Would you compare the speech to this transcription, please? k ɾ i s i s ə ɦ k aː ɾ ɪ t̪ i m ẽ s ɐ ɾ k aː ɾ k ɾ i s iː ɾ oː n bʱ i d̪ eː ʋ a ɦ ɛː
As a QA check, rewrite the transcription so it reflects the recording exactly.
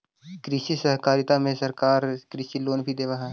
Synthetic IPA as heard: k ɾ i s i s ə ɦ k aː ɾ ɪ t̪ a m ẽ s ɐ ɾ k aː ɾ k ɾ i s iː l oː n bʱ i d̪ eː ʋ a ɦ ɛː